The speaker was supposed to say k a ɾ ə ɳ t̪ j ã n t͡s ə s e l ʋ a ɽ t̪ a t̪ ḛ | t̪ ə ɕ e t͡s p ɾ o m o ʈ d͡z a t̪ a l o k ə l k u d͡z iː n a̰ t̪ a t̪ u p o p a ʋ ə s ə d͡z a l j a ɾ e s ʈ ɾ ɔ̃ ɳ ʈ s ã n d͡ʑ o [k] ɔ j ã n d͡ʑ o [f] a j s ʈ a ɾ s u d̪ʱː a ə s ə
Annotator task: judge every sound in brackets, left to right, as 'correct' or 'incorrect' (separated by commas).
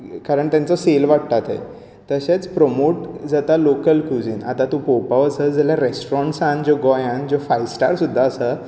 incorrect, correct